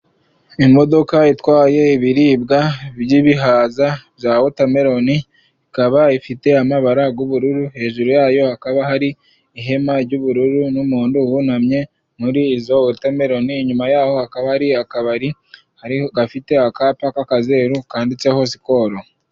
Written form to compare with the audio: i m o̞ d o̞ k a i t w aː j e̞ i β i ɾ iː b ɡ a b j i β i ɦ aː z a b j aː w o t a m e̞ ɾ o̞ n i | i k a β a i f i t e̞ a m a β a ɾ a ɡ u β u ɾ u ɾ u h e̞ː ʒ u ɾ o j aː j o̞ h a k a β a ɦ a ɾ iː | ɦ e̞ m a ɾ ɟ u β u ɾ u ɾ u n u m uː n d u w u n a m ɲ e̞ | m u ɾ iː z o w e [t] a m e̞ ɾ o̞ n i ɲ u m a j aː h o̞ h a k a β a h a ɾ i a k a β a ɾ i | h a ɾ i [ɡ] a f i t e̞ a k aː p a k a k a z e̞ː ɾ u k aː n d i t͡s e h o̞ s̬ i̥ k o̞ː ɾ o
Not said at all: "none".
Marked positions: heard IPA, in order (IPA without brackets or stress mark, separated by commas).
t, ɡ